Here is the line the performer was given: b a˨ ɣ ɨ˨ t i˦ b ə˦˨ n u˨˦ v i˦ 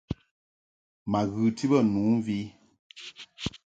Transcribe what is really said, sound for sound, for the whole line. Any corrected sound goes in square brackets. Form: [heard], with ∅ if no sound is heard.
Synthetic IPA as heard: [m] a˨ ɣ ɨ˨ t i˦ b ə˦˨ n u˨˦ v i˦